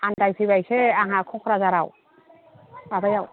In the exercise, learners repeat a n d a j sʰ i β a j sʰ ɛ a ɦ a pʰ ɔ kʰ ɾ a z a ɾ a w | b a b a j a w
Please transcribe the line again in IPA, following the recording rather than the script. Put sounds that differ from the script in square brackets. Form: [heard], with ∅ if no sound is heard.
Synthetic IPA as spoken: a n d a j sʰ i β a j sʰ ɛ a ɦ a [kʰ] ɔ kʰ ɾ a z a ɾ a w | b a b a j a w